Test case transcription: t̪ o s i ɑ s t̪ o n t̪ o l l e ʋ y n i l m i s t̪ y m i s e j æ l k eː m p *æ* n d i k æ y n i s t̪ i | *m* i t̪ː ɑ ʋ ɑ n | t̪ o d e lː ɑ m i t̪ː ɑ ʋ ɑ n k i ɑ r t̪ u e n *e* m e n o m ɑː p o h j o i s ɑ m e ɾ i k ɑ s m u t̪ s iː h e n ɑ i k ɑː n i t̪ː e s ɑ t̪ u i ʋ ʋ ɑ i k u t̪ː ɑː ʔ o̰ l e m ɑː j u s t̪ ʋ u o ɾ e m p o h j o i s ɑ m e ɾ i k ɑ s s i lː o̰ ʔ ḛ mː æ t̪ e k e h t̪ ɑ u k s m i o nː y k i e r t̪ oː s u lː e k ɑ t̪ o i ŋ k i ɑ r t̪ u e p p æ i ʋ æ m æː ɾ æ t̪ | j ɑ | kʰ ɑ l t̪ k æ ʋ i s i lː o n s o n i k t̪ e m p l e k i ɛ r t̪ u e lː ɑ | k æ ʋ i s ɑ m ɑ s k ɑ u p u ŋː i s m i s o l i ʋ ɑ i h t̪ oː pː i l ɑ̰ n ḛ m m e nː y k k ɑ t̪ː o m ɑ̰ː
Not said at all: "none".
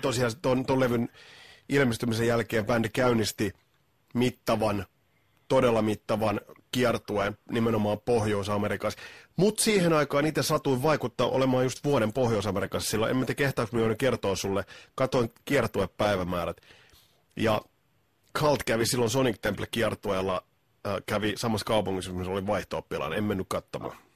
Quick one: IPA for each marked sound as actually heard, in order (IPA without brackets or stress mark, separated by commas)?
æ, m, i